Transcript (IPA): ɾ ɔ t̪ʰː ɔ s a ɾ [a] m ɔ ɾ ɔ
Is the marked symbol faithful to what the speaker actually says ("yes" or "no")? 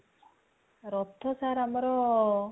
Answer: yes